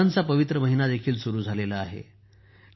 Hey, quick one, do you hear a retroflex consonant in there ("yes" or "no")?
no